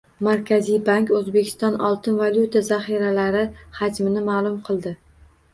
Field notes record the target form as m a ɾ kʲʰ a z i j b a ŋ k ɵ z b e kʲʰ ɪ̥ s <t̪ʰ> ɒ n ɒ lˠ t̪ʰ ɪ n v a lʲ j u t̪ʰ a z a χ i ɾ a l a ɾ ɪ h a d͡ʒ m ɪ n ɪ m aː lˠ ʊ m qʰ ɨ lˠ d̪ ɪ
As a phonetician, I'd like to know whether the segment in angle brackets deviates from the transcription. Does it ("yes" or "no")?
yes